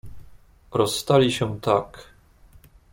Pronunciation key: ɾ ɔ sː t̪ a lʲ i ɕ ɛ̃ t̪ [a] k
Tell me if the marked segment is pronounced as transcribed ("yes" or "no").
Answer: yes